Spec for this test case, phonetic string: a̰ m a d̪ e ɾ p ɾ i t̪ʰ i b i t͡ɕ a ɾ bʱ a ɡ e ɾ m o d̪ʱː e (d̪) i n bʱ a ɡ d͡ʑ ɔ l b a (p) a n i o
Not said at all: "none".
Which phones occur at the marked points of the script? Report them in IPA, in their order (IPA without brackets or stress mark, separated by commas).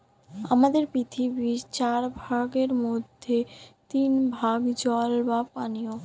t̪, p